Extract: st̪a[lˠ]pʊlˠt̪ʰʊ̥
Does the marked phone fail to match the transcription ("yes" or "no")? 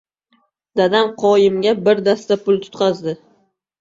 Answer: yes